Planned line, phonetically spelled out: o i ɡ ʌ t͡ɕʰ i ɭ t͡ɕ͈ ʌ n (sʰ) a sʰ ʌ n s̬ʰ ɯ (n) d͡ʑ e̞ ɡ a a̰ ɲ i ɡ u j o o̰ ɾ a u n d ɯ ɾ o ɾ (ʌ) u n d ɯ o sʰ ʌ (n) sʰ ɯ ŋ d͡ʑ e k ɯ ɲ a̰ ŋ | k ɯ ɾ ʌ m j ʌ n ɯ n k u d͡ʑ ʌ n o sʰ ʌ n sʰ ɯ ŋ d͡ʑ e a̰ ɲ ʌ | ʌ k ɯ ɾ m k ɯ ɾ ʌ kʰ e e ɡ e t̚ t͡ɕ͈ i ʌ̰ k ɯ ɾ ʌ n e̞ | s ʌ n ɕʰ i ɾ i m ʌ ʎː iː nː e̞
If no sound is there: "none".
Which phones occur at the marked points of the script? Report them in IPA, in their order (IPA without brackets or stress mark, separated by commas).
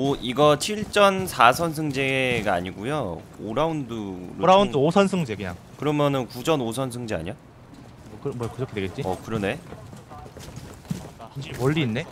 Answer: sʰ, ŋ, a, n